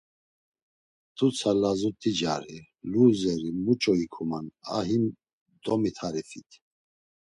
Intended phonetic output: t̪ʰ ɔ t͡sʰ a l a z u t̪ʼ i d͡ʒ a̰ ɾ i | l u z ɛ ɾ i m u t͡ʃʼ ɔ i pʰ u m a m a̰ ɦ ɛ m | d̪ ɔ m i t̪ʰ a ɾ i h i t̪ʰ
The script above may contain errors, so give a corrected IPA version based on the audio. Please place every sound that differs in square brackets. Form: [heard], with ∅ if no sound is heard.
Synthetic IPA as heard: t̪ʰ [u] t͡sʰ a l a z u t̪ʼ i d͡ʒ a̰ ɾ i | l u z ɛ ɾ i m u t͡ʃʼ ɔ i [kʰ] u m a [n] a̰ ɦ [i] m | d̪ ɔ m i t̪ʰ a ɾ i [f] i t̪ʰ